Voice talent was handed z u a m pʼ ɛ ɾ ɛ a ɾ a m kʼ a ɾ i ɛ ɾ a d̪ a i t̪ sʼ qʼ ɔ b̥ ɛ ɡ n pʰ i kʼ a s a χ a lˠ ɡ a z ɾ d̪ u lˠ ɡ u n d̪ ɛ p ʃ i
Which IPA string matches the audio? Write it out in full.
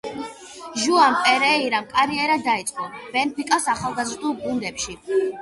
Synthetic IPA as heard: ʒ u a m pʼ ɛ ɾ ɛ i ɾ a m kʼ a ɾ i ɛ ɾ a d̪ a i t̪ sʼ qʼ ɔ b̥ ɛ n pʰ i kʼ a s a χ a lˠ ɡ a z ɾ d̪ u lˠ ɡ u n d̪ ɛ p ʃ i

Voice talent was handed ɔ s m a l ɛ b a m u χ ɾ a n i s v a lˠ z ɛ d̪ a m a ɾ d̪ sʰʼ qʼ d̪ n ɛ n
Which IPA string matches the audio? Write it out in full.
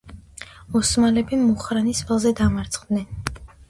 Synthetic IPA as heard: ɔ s m a l ɛ b i m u χ ɾ a n i s v a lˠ z ɛ d̪ a m a ɾ t̪ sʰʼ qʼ d̪ n ɛ n

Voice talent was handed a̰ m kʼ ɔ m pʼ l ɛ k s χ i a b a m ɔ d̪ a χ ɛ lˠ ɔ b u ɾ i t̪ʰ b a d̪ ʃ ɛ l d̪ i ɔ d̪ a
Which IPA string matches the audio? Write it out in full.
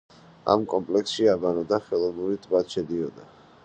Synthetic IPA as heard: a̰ m kʼ ɔ m pʼ l ɛ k s ʃ i a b a n ɔ d̪ a χ ɛ lˠ ɔ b u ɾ i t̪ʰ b a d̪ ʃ ɛ d̪ i ɔ d̪ a

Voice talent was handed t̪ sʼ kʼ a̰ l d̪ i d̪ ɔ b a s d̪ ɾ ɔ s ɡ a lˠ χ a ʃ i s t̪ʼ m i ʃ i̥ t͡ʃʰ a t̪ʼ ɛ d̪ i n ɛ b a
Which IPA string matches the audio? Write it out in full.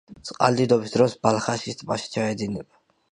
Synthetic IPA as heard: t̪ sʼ qʼ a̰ l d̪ i d̪ ɔ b i s d̪ ɾ ɔ s b a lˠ χ a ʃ i s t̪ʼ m a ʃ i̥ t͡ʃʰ a ɛ d̪ i n ɛ b a

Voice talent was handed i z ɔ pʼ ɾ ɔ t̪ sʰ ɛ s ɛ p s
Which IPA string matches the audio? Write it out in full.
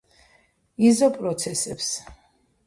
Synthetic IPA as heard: i z ɔ pʼ ɾ ɔ t̪ sʰ ɛ s ɛ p s

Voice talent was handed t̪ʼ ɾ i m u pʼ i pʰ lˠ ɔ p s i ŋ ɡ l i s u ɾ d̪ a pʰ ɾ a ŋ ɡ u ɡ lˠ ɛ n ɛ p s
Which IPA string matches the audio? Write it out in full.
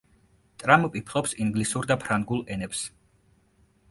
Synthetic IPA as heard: t̪ʼ ɾ a m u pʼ i pʰ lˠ ɔ p s i ŋ ɡ l i s u ɾ d̪ a pʰ ɾ a ŋ ɡ u lˠ ɛ n ɛ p s

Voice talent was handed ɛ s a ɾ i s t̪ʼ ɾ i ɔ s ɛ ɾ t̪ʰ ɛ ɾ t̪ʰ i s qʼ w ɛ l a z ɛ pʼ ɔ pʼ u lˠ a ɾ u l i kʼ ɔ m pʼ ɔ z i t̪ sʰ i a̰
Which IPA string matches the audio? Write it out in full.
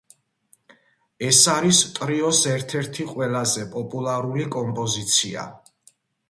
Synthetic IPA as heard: ɛ s a ɾ i s t̪ʼ ɾ i ɔ s ɛ ɾ t̪ʰ ɛ ɾ t̪ʰ i qʼ w ɛ l a z ɛ pʼ ɔ pʼ u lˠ a ɾ u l i kʼ ɔ m pʼ ɔ z i t̪ sʰ i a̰

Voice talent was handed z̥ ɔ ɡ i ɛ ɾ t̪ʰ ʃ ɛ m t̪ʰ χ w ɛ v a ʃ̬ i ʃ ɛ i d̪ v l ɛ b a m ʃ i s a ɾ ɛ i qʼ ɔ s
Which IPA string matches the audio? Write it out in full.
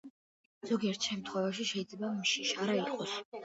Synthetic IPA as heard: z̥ ɔ ɡ i ɛ ɾ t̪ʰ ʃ ɛ m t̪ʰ χ w ɛ v a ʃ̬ i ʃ ɛ i d̪ z l ɛ b a m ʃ i ʃ a ɾ a i qʼ ɔ s

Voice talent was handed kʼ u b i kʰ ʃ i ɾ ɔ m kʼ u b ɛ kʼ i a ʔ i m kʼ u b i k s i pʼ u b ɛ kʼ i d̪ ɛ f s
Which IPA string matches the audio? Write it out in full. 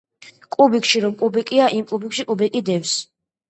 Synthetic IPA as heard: kʼ u b i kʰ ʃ i ɾ ɔ m kʼ u b ɛ kʼ i a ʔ i m kʼ u b i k ʃ i kʼ u b ɛ kʼ i d̪ ɛ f s

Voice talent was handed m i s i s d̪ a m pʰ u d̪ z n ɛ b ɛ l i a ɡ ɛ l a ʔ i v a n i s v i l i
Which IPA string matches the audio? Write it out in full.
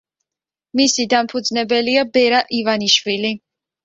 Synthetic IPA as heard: m i s i d̪ a m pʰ u d̪ z n ɛ b ɛ l i a b ɛ ɾ a ʔ i v a n i ʃ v i l i

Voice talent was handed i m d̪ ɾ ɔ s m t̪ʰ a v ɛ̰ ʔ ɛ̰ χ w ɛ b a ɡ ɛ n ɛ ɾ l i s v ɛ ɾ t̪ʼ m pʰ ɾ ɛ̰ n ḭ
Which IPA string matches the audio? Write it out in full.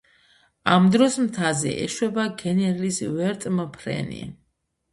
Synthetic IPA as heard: a m d̪ ɾ ɔ s m t̪ʰ a z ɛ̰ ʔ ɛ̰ ʃ w ɛ b a ɡ ɛ n ɛ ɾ l i s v ɛ ɾ t̪ʼ m pʰ ɾ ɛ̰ n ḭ

